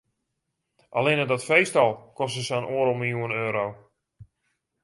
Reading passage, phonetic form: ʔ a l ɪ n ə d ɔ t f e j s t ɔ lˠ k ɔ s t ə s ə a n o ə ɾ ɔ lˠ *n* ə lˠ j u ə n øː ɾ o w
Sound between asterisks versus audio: incorrect: m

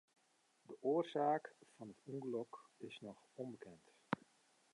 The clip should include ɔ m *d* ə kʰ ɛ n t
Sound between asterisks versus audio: incorrect: b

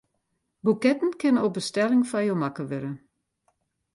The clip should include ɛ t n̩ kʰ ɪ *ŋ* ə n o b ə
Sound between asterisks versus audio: incorrect: n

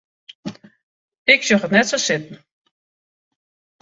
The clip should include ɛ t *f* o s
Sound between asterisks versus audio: incorrect: s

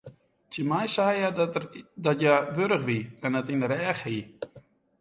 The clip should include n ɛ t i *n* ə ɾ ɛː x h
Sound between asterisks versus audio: correct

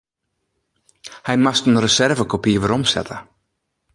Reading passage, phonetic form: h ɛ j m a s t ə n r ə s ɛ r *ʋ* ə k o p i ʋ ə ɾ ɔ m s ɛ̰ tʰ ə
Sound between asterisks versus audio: incorrect: v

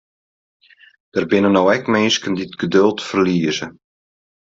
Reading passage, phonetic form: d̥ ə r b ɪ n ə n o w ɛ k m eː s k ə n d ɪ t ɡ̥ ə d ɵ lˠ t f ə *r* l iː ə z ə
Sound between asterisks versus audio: correct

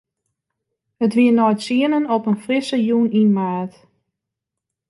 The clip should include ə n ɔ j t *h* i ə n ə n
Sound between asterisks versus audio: incorrect: s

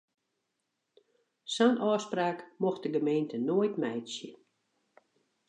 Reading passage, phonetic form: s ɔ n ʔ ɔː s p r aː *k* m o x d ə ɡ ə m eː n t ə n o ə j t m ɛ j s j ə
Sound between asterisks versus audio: correct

